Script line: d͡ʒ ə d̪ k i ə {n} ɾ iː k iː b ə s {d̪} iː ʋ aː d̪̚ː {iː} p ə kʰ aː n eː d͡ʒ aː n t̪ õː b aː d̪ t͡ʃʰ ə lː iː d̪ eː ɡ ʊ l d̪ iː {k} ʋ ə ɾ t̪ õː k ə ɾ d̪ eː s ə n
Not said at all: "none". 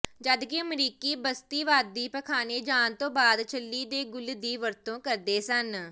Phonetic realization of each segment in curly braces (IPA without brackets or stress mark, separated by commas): m, t̪, iː, none